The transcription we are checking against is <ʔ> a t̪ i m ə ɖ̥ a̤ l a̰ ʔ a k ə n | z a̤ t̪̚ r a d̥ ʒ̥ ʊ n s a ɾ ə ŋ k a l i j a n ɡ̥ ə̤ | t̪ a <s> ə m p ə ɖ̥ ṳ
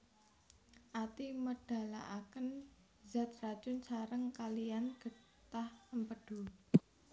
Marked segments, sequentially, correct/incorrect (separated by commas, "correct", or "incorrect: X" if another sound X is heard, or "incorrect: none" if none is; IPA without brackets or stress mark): correct, incorrect: h